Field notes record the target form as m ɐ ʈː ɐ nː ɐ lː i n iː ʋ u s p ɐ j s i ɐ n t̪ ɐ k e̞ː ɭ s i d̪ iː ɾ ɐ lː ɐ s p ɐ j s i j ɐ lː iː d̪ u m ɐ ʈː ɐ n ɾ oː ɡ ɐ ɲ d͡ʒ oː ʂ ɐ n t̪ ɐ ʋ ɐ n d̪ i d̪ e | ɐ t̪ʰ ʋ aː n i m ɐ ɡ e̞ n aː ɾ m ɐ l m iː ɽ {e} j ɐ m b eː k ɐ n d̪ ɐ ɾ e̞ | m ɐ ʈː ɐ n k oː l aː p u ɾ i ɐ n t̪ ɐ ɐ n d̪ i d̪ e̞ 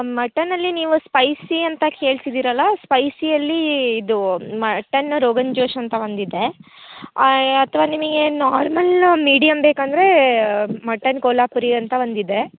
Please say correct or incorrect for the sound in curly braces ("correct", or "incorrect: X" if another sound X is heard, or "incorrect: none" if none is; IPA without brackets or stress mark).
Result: incorrect: i